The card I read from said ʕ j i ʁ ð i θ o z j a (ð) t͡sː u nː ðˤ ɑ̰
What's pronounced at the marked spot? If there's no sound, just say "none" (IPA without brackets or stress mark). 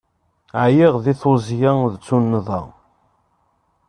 ð